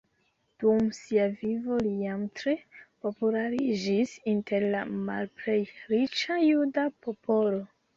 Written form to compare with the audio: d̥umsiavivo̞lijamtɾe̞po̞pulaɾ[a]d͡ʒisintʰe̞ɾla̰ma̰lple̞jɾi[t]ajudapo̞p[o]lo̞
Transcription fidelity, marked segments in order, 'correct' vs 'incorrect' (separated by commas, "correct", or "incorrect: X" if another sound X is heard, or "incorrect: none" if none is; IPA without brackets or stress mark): incorrect: i, incorrect: t͡ʃ, correct